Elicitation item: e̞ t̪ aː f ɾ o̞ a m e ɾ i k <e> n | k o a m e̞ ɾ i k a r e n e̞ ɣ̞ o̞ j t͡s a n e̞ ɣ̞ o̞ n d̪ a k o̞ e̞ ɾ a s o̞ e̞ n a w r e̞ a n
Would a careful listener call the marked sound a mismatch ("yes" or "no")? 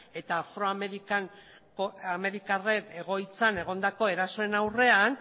yes